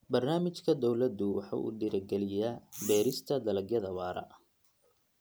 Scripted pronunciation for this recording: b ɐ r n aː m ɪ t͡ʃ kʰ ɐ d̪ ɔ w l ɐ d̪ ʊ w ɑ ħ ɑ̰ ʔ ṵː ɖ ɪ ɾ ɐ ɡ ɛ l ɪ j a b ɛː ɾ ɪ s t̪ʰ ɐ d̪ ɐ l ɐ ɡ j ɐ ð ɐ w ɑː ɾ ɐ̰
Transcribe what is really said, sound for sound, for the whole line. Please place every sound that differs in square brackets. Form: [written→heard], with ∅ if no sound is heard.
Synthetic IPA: b ɐ r n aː m ɪ t͡ʃ kʰ ɐ d̪ ɔ w l ɐ d̪ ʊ w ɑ ħ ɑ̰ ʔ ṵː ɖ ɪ ɾ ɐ ɡ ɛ l ɪ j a b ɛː ɾ ɪ s t̪ʰ ɐ d̪ ɐ l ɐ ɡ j ɐ ð ɐ w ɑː ɾ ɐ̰